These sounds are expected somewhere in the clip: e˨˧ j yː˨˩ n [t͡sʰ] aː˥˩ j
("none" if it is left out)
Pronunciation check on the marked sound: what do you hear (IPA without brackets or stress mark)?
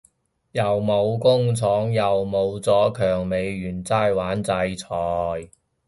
t͡s